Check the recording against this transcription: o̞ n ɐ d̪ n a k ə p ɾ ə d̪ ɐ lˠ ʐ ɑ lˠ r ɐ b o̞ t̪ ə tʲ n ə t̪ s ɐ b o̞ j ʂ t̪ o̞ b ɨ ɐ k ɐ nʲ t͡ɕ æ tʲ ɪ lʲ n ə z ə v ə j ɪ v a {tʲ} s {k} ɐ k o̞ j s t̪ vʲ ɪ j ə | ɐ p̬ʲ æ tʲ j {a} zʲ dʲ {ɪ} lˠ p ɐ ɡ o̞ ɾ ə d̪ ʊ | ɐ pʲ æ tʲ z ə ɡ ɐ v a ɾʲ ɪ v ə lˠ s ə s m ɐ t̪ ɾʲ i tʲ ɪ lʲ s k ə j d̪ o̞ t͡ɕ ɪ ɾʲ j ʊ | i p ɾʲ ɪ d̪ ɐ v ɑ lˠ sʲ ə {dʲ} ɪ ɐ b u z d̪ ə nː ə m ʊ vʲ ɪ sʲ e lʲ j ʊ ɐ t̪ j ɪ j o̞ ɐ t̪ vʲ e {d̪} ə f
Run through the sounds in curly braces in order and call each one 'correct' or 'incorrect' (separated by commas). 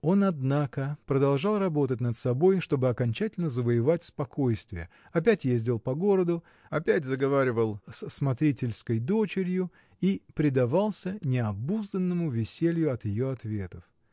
correct, incorrect, incorrect, correct, incorrect, incorrect